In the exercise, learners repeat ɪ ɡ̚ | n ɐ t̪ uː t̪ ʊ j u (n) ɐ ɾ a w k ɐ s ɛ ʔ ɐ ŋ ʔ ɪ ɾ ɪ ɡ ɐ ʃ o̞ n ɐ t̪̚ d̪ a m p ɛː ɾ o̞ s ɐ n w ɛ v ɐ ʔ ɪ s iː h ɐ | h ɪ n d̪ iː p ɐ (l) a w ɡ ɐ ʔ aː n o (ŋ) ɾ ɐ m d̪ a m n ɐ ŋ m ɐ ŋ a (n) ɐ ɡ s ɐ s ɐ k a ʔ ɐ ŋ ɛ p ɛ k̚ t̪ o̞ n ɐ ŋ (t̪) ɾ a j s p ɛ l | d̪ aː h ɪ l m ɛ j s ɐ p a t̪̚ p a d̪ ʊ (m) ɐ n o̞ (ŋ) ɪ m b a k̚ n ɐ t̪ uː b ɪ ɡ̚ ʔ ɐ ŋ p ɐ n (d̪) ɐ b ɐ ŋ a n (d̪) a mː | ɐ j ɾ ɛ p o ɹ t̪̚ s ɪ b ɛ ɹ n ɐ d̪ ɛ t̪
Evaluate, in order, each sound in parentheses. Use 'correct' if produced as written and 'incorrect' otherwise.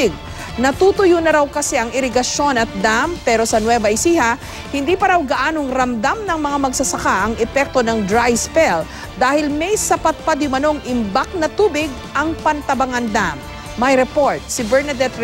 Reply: correct, incorrect, correct, incorrect, incorrect, correct, correct, incorrect, correct

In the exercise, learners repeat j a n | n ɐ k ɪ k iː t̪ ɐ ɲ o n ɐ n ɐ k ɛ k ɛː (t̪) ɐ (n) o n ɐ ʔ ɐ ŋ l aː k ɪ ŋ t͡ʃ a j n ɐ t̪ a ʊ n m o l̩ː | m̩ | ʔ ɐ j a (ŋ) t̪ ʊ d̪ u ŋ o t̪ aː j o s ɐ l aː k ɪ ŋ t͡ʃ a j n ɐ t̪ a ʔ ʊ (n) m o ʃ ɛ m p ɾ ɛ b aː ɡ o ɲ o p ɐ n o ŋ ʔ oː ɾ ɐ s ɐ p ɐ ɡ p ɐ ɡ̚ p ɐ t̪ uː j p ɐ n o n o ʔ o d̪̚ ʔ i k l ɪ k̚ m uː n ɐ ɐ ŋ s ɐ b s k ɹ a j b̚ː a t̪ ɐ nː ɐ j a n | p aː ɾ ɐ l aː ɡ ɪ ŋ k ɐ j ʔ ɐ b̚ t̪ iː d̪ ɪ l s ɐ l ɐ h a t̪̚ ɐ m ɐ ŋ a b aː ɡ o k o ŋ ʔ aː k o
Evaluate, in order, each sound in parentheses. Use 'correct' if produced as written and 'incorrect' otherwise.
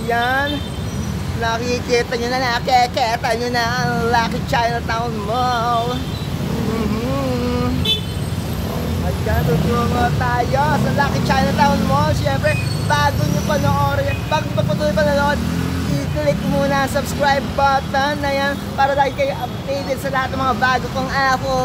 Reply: correct, incorrect, incorrect, correct

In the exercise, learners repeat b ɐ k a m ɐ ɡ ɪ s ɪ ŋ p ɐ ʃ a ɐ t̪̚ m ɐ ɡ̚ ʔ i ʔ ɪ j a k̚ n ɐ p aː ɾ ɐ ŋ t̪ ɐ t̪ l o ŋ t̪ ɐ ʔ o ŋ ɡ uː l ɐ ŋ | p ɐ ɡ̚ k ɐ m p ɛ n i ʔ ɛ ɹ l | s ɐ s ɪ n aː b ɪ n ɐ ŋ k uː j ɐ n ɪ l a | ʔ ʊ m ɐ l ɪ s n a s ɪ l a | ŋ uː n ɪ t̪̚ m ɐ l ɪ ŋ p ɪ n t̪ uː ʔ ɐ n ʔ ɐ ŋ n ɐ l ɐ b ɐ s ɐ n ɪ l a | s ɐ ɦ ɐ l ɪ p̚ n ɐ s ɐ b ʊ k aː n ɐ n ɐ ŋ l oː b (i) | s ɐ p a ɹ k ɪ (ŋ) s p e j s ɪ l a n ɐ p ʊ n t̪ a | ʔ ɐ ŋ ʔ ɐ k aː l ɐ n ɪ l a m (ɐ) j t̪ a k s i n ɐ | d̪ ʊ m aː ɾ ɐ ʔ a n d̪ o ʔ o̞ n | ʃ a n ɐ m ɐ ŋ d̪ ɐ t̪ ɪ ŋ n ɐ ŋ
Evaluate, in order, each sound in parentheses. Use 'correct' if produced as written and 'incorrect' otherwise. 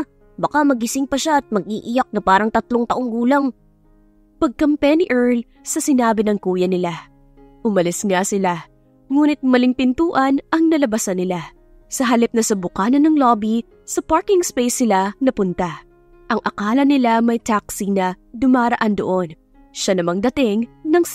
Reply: correct, correct, correct

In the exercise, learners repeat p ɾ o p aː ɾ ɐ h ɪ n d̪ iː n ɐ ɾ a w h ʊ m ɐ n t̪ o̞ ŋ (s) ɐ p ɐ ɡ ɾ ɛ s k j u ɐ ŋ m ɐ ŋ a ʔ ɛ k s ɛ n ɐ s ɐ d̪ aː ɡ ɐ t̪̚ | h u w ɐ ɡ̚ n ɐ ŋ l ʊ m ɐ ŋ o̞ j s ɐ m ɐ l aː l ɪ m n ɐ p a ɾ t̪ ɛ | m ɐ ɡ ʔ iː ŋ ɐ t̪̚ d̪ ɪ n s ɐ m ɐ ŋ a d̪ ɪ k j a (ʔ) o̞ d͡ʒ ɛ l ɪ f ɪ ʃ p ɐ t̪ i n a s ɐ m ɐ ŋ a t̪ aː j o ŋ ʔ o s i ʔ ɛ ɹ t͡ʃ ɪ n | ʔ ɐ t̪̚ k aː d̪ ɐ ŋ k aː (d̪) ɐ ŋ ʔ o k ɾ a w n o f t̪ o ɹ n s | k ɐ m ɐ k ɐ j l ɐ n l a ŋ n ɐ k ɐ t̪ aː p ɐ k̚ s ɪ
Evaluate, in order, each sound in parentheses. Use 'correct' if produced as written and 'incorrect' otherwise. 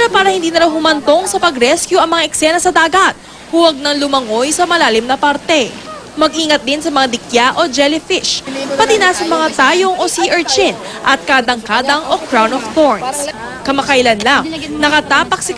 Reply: correct, correct, correct

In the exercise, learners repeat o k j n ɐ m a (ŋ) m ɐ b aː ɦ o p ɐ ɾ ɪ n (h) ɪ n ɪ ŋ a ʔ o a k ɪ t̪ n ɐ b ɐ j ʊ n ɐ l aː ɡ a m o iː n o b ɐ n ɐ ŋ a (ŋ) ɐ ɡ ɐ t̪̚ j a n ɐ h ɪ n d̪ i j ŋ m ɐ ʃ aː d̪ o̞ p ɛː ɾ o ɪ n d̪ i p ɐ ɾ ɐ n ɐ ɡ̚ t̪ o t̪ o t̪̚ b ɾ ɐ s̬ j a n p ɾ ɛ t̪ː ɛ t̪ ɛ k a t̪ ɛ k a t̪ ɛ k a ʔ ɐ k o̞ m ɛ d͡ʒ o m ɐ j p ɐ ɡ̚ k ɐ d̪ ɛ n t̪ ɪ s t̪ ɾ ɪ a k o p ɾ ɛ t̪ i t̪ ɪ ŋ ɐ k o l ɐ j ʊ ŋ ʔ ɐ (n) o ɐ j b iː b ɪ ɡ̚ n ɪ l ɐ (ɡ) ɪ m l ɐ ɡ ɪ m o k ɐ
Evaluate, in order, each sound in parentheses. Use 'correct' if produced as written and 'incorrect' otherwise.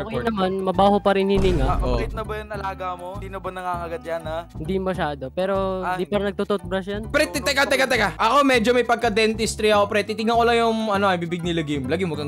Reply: incorrect, correct, correct, correct, correct

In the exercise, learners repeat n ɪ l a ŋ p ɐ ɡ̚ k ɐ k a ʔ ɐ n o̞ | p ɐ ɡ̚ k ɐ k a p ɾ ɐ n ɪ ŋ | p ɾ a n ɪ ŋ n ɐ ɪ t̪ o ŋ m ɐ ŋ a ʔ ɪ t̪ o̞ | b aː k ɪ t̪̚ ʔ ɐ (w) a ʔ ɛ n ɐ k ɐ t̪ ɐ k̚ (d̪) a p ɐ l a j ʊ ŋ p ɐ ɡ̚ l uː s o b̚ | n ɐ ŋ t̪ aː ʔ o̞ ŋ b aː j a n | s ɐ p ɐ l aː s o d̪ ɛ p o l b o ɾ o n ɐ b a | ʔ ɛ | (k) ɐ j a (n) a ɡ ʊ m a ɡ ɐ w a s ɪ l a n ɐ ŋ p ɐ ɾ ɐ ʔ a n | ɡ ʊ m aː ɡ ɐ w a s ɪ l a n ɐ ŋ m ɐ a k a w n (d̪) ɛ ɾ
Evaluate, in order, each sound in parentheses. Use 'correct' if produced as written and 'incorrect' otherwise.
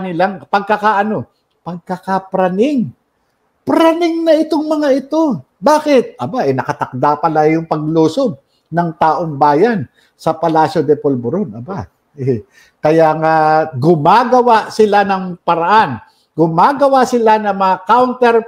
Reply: incorrect, correct, correct, incorrect, incorrect

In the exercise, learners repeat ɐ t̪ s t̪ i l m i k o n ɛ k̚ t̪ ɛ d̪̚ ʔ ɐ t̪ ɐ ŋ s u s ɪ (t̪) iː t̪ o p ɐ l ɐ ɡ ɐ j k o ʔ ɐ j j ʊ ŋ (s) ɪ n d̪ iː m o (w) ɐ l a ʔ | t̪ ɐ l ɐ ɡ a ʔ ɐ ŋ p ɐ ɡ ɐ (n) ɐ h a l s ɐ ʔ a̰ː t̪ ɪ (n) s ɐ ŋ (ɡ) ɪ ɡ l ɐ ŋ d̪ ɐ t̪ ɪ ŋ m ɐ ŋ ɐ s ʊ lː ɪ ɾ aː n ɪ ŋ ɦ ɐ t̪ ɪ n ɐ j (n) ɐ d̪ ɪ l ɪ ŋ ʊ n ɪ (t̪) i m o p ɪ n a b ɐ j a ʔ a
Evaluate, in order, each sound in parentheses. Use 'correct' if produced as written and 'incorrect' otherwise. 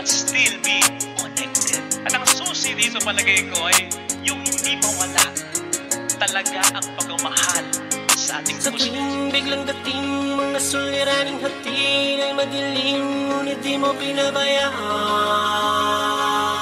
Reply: incorrect, incorrect, correct, incorrect, incorrect, incorrect, incorrect, incorrect

